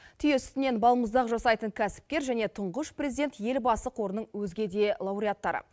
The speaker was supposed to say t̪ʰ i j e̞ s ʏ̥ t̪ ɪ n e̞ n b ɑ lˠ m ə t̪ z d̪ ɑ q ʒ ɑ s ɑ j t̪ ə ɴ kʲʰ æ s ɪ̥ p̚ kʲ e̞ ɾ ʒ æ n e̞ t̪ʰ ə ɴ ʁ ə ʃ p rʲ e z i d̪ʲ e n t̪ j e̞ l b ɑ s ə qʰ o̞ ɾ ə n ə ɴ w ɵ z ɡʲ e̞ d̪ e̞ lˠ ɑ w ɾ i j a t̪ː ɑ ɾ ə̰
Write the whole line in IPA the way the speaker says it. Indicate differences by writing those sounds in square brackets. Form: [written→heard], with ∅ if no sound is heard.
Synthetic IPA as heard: t̪ʰ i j e̞ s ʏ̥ t̪ ɪ n e̞ n b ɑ lˠ m ə [t̪→∅] z d̪ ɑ q ʒ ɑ s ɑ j t̪ ə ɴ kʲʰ æ s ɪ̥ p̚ kʲ e̞ ɾ ʒ æ n e̞ t̪ʰ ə ɴ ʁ ə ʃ p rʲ e z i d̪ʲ e n t̪ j e̞ l b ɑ s ə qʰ o̞ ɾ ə n ə ɴ w ɵ z ɡʲ e̞ d̪ e̞ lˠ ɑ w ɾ i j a t̪ː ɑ ɾ ə̰